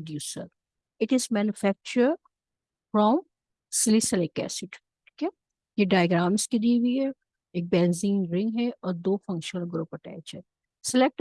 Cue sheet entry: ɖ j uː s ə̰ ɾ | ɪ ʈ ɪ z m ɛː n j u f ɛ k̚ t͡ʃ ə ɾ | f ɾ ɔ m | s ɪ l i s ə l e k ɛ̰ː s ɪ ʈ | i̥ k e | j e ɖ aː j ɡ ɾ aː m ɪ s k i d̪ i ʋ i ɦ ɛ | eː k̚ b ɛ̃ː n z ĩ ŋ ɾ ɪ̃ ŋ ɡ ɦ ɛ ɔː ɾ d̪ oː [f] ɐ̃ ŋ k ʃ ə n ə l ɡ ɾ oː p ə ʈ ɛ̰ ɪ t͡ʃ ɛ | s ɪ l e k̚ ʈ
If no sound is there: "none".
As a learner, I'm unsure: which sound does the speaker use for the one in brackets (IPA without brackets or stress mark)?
f